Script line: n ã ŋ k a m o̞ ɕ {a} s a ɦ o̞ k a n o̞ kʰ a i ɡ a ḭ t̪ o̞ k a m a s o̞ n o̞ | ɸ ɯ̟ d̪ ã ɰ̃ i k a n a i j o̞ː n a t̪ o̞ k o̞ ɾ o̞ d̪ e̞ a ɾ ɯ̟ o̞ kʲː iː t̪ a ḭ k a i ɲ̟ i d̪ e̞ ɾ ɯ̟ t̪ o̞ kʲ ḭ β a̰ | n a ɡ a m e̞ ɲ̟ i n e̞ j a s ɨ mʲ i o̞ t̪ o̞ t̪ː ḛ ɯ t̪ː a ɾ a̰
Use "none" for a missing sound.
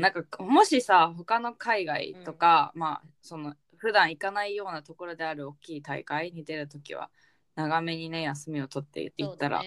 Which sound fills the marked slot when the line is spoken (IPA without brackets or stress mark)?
i